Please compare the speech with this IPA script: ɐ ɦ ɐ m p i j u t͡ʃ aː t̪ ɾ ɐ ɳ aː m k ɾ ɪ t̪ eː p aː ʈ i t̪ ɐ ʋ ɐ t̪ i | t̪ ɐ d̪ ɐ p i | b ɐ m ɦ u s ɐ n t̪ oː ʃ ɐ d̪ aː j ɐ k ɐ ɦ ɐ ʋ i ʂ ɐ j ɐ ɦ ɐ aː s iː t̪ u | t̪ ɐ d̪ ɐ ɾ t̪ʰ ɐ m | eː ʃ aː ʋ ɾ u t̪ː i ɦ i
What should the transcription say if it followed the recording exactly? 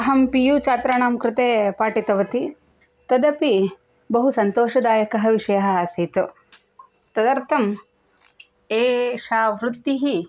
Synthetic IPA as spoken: ɐ ɦ ɐ m p i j u t͡ʃ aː t̪ ɾ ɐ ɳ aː m k ɾ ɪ t̪ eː p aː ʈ i t̪ ɐ ʋ ɐ t̪ i | t̪ ɐ d̪ ɐ p i | b ɐ ɦ u s ɐ n t̪ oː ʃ ɐ d̪ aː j ɐ k ɐ ɦ ɐ ʋ i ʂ ɐ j ɐ ɦ ɐ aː s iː t̪ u | t̪ ɐ d̪ ɐ ɾ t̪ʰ ɐ m | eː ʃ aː ʋ ɾ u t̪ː i ɦ i